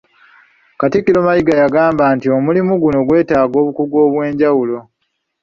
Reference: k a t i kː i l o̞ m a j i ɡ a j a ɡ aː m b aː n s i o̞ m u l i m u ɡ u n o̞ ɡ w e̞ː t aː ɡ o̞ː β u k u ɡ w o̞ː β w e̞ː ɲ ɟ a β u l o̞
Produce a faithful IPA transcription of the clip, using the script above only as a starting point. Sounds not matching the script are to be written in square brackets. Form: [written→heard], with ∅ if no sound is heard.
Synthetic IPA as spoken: k a t i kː i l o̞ m a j i ɡ a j a ɡ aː m b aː n [s→t] i o̞ m u l i m u ɡ u n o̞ ɡ w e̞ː t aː ɡ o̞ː β u k u ɡ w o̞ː β w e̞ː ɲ ɟ a [β→w] u l o̞

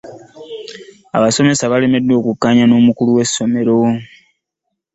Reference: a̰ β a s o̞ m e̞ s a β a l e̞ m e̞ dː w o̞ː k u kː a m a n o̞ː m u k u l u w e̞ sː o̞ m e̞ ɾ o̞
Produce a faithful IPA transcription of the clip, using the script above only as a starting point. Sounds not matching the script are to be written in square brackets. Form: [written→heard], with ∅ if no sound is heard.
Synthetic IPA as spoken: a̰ β a s o̞ m e̞ s a β a l e̞ m e̞ dː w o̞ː k u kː a [m→ɲ] a n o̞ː m u k u l u w e̞ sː o̞ m e̞ ɾ o̞

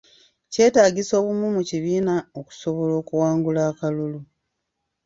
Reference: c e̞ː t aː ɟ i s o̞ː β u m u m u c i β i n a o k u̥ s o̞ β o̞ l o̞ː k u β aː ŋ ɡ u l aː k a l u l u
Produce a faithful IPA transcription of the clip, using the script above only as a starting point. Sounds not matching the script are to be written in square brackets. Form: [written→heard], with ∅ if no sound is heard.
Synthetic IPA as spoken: c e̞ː t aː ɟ i s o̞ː β u m u m u c i β [i→iː] n a o k u̥ s o̞ β o̞ l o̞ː k u [β→w] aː ŋ ɡ u l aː k a l u l u

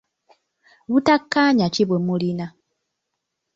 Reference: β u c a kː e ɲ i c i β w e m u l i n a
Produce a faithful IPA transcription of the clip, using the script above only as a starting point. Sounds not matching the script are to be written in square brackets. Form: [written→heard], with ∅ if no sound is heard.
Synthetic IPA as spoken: β u [c→t] a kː [e→a] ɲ [i→a] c i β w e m u l i n a

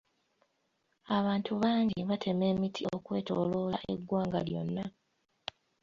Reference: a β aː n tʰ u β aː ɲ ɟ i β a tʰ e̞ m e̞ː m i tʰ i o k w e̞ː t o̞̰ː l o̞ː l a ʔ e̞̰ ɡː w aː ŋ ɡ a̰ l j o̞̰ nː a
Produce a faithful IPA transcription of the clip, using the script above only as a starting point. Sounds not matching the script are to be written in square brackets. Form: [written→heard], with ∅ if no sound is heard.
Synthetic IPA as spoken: a β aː n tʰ u β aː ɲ ɟ i β a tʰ e̞ m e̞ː m i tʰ i o k w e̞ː t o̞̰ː l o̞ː l a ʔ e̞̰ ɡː w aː ŋ ɡ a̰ l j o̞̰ nː a

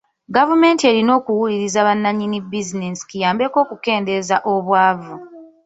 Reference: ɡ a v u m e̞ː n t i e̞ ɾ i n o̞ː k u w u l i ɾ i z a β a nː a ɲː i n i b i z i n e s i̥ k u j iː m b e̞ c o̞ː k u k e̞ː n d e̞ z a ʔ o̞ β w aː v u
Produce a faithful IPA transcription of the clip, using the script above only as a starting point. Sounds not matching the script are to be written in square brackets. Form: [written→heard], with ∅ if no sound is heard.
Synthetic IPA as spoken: ɡ a v u m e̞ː n t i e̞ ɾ i n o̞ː k u w u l i ɾ i z a β a nː a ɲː i n i b i z i n e s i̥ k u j [iː→aː] m b e̞ [c→k] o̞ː k u k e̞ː n d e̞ z a ʔ o̞ β w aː v u

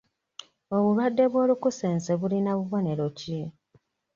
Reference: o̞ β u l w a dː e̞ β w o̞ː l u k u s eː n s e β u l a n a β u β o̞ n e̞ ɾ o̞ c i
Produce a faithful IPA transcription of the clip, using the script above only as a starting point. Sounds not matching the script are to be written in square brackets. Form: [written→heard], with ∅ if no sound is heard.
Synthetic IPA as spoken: o̞ β u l w a dː e̞ β w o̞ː l u k u s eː n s e β u l [a→i] n a β u β o̞ n e̞ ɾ o̞ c i

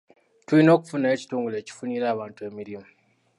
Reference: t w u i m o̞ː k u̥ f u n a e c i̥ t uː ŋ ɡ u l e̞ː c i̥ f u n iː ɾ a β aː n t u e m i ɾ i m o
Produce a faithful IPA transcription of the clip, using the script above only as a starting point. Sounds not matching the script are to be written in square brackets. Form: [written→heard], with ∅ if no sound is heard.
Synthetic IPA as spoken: t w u i [m→n] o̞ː k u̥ f u n a e c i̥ t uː ŋ ɡ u l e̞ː c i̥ f u n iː ɾ a β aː n t u e m i ɾ i m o

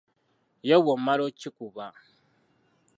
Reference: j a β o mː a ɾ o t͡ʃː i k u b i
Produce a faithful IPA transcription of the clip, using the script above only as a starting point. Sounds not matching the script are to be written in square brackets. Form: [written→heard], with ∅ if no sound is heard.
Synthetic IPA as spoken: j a [β→w] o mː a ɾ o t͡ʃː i k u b [i→a]

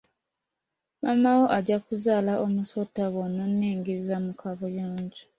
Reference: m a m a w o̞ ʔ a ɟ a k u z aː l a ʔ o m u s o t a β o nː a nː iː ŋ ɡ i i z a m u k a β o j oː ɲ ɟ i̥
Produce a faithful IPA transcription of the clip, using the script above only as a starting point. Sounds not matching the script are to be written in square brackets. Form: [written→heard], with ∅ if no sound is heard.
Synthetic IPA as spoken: m a m a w o̞ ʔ a ɟ a k u z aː l a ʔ o m u s o t a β o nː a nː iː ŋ ɡ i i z a m u k a β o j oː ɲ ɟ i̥

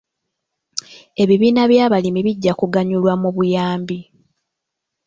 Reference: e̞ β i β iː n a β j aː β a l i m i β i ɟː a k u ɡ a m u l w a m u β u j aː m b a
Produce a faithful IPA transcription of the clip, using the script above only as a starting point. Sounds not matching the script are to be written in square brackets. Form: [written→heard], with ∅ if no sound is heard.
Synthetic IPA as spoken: e̞ β i β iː n a β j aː β a l i m i β i ɟː a k u ɡ a [m→ɲ] u l w a m u β u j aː m b [a→i]

